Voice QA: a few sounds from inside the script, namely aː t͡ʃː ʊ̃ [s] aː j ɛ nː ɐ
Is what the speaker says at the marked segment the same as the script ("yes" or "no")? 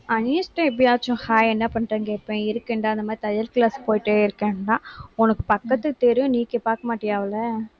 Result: no